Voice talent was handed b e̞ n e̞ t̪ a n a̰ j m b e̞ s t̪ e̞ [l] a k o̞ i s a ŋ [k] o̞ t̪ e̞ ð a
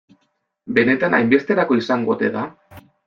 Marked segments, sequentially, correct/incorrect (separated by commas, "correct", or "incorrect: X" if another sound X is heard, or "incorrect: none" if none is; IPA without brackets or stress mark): incorrect: ɾ, incorrect: ɡ